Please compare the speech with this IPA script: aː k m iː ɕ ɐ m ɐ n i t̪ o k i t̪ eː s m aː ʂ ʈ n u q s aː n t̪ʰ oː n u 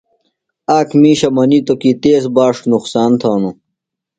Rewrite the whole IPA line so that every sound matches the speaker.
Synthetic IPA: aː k m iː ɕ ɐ m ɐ n i t̪ o k i t̪ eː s b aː ʂ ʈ n u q s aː n t̪ʰ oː n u